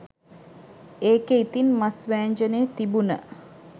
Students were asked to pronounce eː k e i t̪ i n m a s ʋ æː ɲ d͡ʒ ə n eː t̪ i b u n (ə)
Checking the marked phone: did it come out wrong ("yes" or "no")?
no